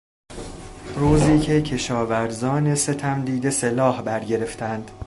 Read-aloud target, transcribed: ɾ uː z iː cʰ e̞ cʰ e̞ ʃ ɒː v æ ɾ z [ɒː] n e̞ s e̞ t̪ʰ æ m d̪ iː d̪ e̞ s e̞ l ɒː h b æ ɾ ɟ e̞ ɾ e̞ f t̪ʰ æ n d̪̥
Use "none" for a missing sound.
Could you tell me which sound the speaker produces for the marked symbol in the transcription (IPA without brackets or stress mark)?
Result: ɒː